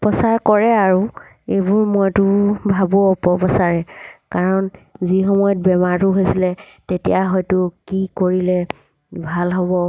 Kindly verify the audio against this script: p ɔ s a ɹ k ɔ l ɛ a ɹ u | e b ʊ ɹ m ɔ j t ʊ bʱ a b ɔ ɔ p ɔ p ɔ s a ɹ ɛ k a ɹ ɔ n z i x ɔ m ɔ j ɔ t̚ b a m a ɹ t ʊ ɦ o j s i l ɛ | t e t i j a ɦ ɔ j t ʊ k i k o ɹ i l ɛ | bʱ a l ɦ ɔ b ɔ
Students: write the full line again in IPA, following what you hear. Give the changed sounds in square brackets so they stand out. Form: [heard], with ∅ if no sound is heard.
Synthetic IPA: p ɔ s a ɹ k ɔ [ɹ] ɛ a ɹ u | e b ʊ ɹ m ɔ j t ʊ bʱ a b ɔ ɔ p ɔ p ɔ s a ɹ ɛ k a ɹ ɔ n z i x ɔ m ɔ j ɔ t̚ b [ɛ] m a ɹ t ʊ ɦ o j s i l ɛ | t e t i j a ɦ ɔ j t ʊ k i k o ɹ i l ɛ | bʱ a l ɦ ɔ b ɔ